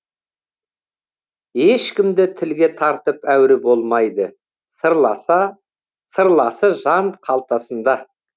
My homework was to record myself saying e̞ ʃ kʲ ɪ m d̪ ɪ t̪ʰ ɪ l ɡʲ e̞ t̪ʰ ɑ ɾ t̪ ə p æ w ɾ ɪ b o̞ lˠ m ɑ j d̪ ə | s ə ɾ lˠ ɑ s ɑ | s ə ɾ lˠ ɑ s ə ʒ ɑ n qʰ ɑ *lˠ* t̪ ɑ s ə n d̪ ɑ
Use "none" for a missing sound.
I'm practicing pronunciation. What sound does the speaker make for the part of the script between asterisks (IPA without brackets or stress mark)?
lˠ